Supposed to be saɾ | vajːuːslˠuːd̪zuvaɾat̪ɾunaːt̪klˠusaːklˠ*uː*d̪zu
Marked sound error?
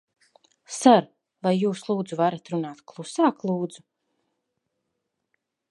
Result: no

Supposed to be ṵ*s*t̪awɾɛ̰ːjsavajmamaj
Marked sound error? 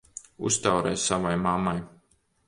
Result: no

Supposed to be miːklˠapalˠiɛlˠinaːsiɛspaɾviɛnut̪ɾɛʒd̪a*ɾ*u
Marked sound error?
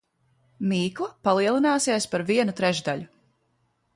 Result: yes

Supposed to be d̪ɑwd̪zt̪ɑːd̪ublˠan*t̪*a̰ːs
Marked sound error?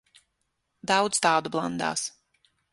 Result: yes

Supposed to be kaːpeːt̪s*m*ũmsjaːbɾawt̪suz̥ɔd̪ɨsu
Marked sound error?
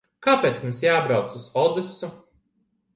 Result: no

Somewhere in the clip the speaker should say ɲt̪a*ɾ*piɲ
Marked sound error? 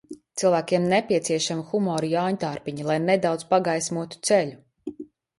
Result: no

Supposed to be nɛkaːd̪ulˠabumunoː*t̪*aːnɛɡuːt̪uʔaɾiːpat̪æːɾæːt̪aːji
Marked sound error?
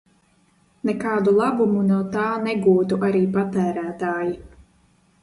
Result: no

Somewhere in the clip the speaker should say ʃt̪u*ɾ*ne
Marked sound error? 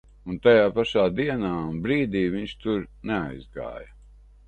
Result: no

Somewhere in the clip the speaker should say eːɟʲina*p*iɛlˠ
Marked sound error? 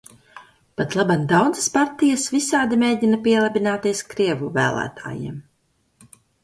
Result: no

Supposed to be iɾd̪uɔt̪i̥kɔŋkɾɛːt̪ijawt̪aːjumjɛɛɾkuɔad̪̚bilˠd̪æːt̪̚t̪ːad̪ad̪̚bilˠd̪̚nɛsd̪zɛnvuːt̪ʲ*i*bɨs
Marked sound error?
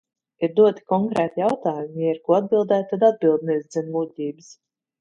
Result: yes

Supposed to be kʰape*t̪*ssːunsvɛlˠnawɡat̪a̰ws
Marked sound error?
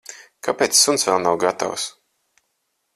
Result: no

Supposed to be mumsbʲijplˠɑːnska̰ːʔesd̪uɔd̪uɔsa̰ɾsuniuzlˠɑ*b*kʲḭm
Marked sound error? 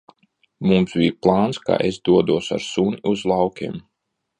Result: yes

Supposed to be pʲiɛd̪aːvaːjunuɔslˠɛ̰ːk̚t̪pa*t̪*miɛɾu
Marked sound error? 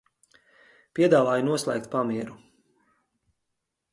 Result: yes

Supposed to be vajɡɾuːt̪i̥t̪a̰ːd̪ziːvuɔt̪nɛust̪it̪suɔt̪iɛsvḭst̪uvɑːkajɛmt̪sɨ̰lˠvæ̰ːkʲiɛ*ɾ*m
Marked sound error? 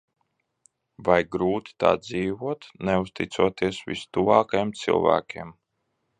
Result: yes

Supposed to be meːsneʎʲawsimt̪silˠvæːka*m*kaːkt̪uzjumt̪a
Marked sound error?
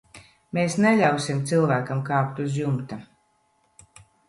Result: no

